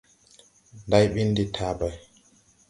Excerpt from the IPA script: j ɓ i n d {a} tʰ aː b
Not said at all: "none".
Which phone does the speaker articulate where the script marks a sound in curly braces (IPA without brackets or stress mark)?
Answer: i